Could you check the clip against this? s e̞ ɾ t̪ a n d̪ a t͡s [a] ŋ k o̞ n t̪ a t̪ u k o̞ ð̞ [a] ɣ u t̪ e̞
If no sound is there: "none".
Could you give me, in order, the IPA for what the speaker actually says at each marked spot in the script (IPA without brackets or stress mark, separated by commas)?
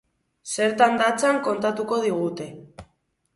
a, i